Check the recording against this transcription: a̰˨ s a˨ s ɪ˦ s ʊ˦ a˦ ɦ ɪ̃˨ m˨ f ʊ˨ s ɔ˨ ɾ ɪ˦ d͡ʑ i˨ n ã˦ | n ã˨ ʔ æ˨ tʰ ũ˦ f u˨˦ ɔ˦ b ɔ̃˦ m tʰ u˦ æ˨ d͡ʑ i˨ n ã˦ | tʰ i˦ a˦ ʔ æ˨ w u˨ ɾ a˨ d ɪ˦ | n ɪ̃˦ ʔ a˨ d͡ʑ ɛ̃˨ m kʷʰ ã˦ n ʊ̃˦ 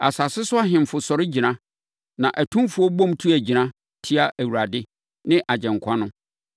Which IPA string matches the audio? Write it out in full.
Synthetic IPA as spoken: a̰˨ s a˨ s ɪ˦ s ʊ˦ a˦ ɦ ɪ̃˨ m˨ f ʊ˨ s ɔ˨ ɾ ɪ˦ d͡ʑ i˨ n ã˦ | n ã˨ ʔ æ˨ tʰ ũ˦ f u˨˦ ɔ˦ b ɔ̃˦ m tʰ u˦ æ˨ d͡ʑ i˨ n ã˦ | tʰ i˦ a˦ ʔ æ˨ w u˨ ɾ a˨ d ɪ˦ | n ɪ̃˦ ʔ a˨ d͡ʑ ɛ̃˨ ŋ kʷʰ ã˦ n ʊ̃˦

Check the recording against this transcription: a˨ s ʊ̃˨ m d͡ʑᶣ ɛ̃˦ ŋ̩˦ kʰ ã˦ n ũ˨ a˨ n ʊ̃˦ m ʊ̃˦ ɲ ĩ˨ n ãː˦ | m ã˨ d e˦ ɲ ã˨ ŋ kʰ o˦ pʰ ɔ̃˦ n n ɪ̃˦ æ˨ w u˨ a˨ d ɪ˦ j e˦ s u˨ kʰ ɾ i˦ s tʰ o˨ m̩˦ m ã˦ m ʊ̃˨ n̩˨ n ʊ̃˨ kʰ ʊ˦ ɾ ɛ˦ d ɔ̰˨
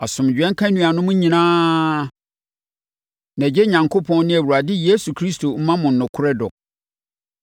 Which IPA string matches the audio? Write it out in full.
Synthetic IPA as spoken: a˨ s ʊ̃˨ m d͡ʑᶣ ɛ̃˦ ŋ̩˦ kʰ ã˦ n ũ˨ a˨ n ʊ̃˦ m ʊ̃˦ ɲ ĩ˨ n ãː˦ | n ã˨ d͡ʑ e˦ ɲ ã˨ ŋ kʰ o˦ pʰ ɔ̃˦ n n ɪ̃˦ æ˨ w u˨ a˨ d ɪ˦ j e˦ s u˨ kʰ ɾ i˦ s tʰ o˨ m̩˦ m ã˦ m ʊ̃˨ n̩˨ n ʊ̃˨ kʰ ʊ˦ ɾ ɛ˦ d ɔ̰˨

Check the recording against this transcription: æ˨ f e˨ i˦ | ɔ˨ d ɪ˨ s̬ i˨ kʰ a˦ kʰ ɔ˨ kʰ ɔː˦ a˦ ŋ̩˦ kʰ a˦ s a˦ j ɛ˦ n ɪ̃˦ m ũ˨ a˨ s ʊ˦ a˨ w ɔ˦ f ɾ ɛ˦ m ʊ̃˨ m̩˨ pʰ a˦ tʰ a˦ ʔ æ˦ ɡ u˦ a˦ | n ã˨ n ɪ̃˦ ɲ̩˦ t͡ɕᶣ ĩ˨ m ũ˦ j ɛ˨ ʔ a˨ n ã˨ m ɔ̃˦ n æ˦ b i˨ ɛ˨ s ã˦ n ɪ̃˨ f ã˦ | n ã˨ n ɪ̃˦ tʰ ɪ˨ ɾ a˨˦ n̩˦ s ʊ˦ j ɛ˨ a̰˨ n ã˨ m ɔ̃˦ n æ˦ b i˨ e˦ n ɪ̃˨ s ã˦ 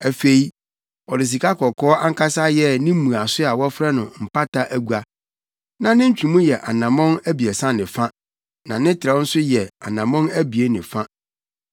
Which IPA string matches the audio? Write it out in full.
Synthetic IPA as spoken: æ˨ f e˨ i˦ | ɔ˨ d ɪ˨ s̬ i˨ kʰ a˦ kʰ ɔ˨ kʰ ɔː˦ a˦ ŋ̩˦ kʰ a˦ s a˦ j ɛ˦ n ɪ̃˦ m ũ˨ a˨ s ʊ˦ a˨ w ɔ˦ f ɾ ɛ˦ n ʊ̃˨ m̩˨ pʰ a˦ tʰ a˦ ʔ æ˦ ɡ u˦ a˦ | n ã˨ n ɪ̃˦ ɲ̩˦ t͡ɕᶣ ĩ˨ m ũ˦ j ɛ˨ ʔ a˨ n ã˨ m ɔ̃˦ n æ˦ b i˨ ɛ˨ s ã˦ n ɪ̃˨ f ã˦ | n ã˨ n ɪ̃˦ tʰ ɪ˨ ɾ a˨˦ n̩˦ s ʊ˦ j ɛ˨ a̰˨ n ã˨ m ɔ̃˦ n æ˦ b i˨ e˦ n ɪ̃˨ f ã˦

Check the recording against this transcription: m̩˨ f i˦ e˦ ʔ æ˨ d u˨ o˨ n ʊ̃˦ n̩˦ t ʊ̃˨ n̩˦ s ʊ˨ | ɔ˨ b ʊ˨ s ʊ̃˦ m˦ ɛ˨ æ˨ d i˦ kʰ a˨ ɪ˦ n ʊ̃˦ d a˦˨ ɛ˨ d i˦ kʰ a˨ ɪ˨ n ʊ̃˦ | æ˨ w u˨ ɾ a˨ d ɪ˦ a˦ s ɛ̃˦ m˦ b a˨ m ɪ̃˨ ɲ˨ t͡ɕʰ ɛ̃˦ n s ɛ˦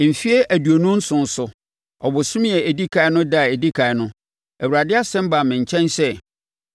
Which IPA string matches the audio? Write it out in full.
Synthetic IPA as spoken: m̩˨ f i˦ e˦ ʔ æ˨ d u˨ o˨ n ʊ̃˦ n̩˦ s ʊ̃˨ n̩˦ s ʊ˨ | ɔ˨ b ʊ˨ s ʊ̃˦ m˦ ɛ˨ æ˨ d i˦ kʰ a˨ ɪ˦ n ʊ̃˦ d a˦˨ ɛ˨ d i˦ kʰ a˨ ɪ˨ n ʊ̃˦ | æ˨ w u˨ ɾ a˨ d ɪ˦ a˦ s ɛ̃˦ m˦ b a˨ m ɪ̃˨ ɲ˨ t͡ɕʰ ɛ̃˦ n s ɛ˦

